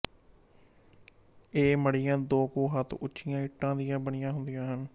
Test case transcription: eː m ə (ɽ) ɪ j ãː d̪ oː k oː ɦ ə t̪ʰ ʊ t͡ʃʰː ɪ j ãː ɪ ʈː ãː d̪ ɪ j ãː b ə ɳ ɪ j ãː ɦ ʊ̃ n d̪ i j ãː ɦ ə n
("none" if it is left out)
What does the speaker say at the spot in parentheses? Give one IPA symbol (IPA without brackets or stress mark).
ɽ